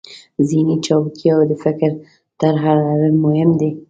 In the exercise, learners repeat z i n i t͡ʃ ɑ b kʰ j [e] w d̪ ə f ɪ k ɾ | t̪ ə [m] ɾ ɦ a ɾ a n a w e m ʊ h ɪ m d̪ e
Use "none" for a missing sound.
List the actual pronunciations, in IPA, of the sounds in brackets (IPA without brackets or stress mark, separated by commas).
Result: a, none